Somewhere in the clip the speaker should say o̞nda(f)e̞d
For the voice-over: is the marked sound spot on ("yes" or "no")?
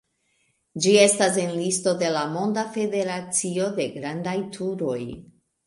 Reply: yes